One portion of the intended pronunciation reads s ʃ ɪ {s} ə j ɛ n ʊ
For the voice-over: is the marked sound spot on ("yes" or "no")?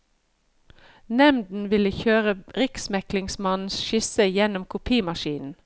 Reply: yes